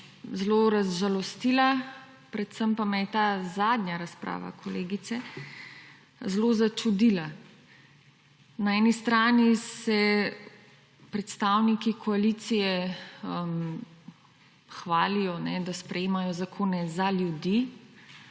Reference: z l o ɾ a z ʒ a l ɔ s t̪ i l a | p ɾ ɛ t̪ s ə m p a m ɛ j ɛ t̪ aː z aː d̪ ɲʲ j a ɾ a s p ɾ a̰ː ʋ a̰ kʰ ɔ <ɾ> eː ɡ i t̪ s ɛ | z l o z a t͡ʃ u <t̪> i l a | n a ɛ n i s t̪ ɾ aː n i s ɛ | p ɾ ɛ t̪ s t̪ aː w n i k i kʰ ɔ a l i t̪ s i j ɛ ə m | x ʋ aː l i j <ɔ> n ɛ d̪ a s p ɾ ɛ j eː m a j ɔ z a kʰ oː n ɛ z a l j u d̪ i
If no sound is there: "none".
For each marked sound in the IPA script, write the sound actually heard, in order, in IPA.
l, d̪, ɔ

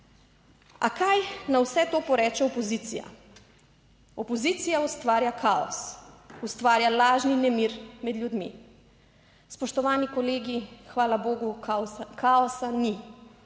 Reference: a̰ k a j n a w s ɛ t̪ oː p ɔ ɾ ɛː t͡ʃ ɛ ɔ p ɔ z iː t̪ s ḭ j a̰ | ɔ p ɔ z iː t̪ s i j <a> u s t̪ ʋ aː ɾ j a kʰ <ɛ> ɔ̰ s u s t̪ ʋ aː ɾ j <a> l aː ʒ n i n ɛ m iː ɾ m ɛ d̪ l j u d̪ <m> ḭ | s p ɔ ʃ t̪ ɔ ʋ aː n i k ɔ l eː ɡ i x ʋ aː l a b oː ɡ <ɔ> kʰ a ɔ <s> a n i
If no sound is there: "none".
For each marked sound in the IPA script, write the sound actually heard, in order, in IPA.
a, a, a, m, u, s

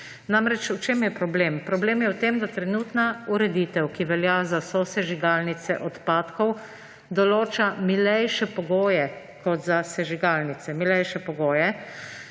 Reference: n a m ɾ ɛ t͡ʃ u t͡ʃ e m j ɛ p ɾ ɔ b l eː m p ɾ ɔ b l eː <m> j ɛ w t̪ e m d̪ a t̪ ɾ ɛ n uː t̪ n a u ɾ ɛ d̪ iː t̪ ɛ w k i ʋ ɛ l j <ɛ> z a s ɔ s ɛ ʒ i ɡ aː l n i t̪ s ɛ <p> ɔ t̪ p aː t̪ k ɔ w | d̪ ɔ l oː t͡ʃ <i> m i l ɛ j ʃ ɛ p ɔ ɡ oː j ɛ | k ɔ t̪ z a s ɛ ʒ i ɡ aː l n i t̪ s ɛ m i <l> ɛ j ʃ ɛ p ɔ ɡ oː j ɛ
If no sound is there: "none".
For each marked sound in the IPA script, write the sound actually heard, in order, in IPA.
m, a, ʔ, a, l

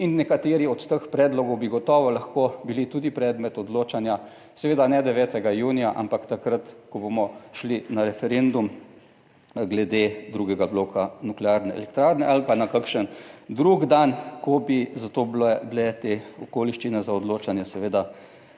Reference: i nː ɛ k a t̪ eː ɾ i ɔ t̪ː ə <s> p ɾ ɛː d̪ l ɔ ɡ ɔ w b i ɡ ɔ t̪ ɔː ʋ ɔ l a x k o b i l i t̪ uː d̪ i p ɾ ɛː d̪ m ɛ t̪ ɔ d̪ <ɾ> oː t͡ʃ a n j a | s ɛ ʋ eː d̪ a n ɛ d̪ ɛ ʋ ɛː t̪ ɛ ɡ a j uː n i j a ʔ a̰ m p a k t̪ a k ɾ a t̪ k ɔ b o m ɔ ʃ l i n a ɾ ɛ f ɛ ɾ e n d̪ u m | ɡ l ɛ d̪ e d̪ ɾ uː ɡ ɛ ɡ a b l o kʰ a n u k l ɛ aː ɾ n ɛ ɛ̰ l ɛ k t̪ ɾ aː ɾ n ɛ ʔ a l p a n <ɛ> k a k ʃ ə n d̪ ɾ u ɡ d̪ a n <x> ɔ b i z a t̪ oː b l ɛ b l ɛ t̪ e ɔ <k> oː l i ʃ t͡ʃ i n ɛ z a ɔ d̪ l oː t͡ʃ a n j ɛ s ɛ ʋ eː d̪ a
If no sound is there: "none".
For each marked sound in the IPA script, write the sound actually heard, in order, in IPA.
x, l, a, k, k

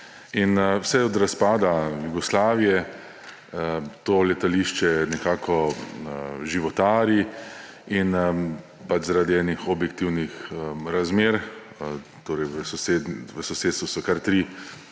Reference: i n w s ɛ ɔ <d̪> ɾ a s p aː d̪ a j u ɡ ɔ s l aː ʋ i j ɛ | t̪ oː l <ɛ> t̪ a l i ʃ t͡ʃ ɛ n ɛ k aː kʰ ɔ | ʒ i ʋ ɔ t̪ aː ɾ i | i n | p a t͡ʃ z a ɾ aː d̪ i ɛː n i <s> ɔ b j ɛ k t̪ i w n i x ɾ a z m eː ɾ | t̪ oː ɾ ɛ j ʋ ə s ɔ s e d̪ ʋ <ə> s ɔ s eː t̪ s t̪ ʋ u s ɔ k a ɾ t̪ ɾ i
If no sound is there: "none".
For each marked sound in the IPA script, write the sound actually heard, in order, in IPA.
d̪, ɛ, x, ə

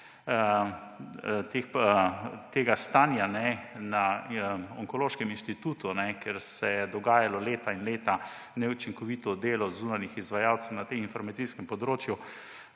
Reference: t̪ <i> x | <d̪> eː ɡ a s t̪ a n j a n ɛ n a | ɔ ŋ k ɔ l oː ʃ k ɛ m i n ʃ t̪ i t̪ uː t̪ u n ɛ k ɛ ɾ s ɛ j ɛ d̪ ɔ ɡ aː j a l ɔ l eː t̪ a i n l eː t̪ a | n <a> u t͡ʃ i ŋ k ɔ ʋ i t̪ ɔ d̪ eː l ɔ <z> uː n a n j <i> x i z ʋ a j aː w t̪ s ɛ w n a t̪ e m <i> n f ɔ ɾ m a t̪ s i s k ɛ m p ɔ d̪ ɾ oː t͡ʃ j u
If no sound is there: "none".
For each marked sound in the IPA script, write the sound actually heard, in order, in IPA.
e, t̪, ɛ, z, i, i

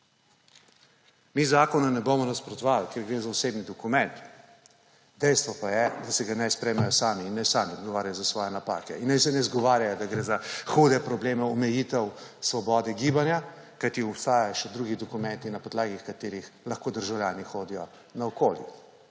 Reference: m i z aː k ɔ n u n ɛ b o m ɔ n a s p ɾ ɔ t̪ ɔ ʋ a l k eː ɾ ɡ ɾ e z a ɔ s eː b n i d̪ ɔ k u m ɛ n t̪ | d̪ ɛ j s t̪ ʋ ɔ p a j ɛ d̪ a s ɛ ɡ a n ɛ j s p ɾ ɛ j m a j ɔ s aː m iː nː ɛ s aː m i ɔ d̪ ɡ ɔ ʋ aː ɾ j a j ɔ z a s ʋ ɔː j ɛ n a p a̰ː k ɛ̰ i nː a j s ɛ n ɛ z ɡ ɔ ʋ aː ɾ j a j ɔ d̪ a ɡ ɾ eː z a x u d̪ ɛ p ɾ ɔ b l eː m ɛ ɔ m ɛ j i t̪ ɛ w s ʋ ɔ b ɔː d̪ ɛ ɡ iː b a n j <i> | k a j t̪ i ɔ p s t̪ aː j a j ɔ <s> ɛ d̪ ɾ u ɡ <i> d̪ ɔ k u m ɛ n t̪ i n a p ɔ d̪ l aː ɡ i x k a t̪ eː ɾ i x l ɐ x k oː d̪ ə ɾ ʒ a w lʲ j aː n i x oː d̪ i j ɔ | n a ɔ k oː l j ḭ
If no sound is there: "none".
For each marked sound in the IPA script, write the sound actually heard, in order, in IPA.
a, ʃ, i

